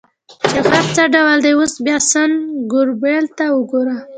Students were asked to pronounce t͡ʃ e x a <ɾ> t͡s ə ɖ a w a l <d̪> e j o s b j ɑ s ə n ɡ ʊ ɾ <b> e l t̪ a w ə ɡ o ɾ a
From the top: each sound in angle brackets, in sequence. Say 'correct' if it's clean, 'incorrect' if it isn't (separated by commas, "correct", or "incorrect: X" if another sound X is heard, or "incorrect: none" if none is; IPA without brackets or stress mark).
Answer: correct, correct, correct